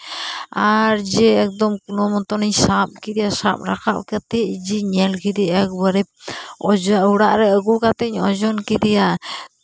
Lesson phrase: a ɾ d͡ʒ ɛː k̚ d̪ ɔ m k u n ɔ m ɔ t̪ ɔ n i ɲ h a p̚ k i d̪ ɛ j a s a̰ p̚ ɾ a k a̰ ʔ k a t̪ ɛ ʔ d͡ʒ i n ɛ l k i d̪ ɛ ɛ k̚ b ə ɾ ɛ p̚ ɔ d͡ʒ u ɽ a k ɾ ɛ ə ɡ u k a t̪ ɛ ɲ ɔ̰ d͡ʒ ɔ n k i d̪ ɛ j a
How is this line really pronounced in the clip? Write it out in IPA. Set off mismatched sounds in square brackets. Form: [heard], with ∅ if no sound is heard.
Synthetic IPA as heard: a ɾ d͡ʒ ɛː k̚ d̪ ɔ m k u n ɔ m ɔ t̪ ɔ n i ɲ [s] a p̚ k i d̪ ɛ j a s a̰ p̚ ɾ a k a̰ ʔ k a t̪ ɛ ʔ d͡ʒ i [ɲ] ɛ l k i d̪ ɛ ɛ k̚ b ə ɾ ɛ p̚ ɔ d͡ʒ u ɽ a [ʔ] ɾ ɛ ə ɡ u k a t̪ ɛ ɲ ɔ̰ d͡ʒ ɔ n k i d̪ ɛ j a